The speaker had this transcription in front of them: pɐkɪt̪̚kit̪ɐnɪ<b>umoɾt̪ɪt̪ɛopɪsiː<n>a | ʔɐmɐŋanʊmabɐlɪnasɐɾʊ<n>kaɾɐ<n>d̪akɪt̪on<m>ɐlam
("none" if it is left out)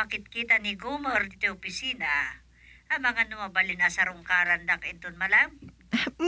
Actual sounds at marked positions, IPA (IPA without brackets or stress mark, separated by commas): ɡ, n, ŋ, n, m